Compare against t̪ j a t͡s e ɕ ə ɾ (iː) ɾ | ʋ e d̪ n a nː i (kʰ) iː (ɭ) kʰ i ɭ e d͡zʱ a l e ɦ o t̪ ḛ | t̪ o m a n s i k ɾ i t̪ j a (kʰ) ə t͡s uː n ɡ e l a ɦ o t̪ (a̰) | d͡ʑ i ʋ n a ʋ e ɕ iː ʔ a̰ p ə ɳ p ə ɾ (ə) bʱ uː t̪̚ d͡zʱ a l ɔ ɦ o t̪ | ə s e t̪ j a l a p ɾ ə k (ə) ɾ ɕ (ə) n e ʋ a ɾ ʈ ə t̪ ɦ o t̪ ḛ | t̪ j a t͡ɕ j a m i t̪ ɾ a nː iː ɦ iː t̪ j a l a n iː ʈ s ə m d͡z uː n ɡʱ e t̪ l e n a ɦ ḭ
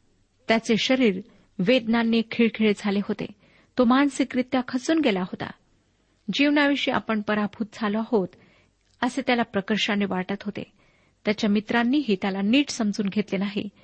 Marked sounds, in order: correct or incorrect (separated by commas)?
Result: correct, correct, correct, correct, correct, incorrect, correct, incorrect